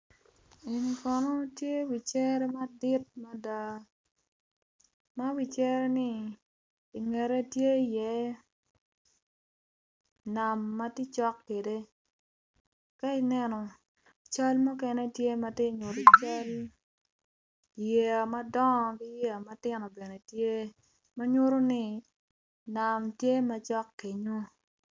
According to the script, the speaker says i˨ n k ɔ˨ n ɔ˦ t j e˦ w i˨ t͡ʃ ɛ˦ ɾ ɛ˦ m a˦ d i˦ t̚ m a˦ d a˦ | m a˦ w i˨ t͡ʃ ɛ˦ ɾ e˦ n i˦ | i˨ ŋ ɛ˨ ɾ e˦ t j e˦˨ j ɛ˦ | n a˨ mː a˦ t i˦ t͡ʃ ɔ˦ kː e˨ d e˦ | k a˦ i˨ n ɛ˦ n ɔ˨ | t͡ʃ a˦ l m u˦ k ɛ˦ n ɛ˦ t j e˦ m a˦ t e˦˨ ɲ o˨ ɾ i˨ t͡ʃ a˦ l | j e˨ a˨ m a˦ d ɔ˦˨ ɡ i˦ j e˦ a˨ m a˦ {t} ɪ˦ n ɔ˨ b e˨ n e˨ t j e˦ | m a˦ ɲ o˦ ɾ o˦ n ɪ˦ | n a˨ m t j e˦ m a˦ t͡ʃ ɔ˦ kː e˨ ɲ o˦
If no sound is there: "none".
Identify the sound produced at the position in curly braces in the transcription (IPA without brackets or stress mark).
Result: t